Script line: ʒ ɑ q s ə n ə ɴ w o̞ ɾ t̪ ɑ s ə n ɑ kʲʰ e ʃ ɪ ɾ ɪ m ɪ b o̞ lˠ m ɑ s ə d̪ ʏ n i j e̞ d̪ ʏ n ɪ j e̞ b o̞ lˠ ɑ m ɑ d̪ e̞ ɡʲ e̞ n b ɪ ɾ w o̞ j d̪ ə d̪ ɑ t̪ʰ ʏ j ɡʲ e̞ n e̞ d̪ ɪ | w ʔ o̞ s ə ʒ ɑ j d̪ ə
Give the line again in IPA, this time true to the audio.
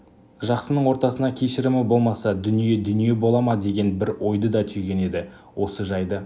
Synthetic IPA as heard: ʒ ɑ q s ə n ə ɴ w o̞ ɾ t̪ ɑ s ə n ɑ kʲʰ e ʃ ɪ ɾ ɪ m ɪ b o̞ lˠ m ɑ s ɑ d̪ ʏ n i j e̞ d̪ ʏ n i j e̞ b o̞ lˠ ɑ m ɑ d̪ e̞ ɡʲ e̞ n b ɪ ɾ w o̞ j d̪ ə d̪ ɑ t̪ʰ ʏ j ɡʲ e̞ n e̞ d̪ ɪ | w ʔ o̞ s ə ʒ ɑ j d̪ ə

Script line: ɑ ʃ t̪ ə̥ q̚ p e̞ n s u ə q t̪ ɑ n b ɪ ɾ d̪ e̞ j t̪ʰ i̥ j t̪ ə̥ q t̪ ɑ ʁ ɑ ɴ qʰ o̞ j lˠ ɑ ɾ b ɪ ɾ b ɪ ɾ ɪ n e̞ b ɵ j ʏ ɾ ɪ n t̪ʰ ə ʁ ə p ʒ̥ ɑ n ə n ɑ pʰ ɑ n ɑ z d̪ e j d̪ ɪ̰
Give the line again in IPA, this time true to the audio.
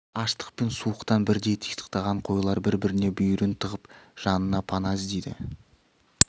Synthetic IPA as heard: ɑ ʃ t̪ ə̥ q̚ p e̞ n s u ə q t̪ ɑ n b ɪ ɾ d̪ e̞ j t̪ʰ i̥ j t̪ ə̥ q t̪ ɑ ʁ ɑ ɴ qʰ o̞ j lˠ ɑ ɾ b ɪ ɾ b ɪ ɾ ɪ n e̞ b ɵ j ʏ ɾ ɪ n t̪ʰ ə ʁ ə p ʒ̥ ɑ n ə n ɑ pʰ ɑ n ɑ z d̪ e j d̪ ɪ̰

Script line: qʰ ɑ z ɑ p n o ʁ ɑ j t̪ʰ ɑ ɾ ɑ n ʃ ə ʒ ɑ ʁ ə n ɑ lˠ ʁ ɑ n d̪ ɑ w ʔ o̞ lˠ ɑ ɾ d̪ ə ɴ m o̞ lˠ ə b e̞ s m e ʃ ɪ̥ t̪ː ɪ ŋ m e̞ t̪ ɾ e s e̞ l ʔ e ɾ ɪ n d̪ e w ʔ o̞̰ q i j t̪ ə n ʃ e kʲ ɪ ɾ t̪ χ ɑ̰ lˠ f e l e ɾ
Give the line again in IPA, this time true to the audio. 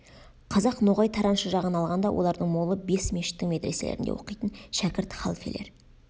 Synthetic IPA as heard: qʰ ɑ z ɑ q n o ʁ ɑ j t̪ʰ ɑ ɾ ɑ n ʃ ə ʒ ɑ ʁ ə n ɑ lˠ ʁ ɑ n d̪ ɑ w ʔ o̞ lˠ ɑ ɾ d̪ ə ɴ m o̞ lˠ ə b e̞ s m e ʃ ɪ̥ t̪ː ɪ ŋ m e̞ t̪ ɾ e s e̞ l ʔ e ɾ ɪ n d̪ e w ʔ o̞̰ q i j t̪ ə n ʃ æ kʲ ɪ ɾ t̪ χ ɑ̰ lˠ f e l e ɾ

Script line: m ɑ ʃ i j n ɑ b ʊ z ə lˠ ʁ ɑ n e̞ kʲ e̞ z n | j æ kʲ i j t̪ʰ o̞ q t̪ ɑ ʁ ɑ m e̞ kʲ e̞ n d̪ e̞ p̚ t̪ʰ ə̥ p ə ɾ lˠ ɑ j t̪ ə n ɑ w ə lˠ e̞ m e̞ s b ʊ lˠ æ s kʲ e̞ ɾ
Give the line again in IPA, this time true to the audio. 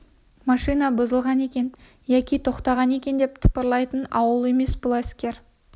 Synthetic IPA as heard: m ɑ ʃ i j n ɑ b ʊ z ə lˠ ʁ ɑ n e̞ kʲ e̞ n | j æ kʲ i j t̪ʰ o̞ q t̪ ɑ ʁ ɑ n e̞ kʲ e̞ n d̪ e̞ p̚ t̪ʰ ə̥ p ə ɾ lˠ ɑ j t̪ ə n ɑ w ə lˠ e̞ m e̞ s b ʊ lˠ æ s kʲ e̞ ɾ

